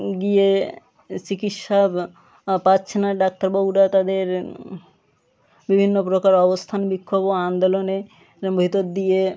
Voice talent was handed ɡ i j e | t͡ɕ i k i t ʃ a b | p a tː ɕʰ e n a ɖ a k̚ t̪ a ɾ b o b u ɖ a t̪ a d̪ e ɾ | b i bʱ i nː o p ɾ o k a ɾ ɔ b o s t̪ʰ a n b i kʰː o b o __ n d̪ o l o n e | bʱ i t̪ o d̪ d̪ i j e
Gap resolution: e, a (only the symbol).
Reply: a